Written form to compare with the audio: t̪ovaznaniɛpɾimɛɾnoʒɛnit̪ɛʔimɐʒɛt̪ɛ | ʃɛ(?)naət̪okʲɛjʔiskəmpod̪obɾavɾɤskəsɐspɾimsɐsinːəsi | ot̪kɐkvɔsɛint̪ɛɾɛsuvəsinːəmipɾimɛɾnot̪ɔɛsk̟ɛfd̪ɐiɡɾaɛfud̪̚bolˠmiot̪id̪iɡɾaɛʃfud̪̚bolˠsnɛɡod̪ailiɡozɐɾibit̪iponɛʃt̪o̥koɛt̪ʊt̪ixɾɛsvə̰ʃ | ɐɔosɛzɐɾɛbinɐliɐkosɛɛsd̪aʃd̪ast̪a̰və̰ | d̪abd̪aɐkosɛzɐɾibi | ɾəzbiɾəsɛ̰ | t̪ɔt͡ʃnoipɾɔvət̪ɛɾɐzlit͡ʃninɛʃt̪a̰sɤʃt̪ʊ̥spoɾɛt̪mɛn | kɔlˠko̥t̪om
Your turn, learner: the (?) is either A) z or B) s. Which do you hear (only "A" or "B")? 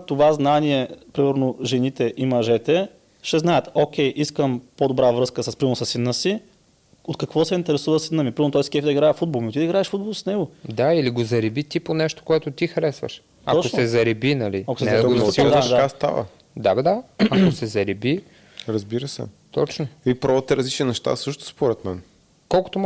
A